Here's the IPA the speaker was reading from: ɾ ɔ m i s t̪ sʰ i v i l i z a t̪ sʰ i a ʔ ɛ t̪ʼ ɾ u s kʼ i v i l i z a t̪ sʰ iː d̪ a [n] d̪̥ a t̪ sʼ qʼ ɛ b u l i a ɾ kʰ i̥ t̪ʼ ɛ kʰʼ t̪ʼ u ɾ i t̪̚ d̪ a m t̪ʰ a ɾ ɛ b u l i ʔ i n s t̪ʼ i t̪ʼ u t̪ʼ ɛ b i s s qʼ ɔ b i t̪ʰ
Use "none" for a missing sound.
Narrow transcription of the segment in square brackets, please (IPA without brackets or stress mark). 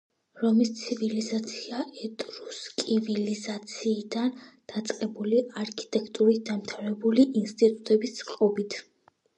n